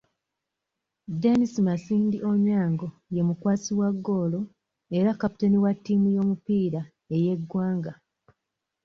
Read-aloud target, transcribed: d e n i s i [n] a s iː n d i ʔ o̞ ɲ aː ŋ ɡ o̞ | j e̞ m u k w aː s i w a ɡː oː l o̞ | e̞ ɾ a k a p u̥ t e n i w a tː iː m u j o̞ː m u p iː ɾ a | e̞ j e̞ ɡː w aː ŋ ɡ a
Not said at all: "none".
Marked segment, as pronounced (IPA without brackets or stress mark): m